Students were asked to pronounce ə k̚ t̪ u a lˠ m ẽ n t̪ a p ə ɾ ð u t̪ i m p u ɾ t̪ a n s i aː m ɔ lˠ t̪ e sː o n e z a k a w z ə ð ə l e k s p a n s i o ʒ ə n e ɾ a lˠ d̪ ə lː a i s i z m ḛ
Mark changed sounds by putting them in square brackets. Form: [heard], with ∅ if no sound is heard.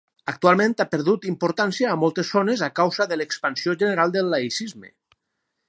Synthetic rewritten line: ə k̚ t̪ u a lˠ m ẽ n t̪ a p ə ɾ ð u t̪ i m p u ɾ t̪ a n s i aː m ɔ lˠ t̪ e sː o n e z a k a w z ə ð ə l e k s p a n s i o ʒ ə n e ɾ a lˠ d̪ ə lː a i s i z m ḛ